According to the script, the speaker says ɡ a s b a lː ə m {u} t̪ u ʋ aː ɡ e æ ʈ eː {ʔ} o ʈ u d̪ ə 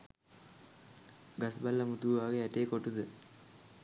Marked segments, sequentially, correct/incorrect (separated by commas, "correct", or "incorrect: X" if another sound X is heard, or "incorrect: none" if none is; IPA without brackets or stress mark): correct, incorrect: k